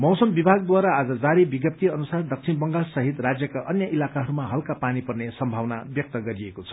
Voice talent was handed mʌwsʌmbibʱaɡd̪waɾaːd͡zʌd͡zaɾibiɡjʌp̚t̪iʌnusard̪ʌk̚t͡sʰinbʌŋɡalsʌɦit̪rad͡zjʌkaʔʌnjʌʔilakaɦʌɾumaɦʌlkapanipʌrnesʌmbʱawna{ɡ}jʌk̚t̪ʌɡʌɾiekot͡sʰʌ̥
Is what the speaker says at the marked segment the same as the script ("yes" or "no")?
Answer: no